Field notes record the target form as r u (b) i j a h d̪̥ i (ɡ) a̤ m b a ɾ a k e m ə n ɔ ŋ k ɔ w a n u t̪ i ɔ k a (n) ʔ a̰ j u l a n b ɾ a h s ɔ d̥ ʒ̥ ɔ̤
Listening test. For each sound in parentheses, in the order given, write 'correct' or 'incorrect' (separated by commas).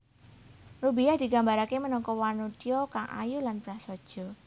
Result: correct, correct, incorrect